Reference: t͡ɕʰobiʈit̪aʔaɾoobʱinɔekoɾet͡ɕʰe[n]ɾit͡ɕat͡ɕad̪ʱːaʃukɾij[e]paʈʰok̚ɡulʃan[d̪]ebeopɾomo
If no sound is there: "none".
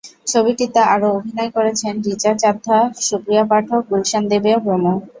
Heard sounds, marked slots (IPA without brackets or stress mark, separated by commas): n, a, d̪